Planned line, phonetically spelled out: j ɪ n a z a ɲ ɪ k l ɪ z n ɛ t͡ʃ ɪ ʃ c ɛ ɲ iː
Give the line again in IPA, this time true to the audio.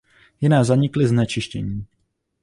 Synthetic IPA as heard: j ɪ n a z a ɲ ɪ k l ɪ z n ɛ t͡ʃ ɪ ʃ c ɛ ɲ iː